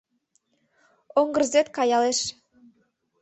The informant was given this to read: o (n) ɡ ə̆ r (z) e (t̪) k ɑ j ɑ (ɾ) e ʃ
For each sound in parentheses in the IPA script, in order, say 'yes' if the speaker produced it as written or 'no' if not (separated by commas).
no, yes, yes, no